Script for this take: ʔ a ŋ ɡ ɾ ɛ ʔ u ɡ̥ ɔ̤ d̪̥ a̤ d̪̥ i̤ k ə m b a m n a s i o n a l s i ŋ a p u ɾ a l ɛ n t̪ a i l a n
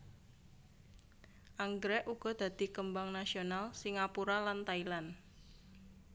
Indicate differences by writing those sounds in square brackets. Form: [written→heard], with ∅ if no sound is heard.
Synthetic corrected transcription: ʔ a ŋ ɡ ɾ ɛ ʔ u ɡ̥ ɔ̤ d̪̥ a̤ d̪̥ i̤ k ə m b a [m→ŋ] n a s i o n a l s i ŋ a p u ɾ a l [ɛ→a] n t̪ a i l a n